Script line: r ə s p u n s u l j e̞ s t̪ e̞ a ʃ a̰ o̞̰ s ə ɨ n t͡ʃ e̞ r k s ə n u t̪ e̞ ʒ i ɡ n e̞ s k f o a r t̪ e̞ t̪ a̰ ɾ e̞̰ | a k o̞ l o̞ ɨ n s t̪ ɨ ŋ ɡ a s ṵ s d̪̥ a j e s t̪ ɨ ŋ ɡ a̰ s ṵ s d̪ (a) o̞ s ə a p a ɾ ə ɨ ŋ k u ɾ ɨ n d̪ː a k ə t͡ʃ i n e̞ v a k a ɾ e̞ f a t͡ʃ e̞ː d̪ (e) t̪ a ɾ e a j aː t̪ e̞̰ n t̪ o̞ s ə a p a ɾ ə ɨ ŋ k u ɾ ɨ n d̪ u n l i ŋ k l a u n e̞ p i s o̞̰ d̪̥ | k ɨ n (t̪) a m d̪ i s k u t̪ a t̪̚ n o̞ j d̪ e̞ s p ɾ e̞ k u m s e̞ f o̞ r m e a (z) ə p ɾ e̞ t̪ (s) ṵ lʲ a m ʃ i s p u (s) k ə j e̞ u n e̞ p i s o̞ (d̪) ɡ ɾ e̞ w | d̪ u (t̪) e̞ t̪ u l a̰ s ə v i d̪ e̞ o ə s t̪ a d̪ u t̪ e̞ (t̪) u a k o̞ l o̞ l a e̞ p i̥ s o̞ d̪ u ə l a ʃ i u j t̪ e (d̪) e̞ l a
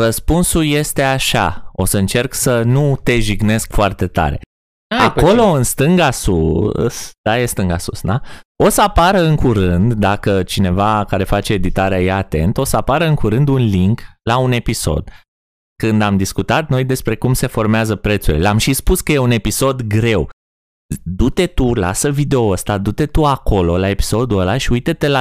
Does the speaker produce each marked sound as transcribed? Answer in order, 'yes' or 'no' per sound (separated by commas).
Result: yes, no, no, yes, yes, yes, yes, yes, yes, no